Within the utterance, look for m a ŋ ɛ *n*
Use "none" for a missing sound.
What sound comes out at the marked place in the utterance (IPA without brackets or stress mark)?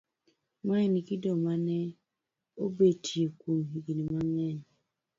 n